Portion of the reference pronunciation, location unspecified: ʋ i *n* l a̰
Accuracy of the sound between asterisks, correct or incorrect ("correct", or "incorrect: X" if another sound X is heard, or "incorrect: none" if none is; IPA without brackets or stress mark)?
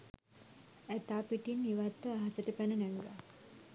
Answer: incorrect: none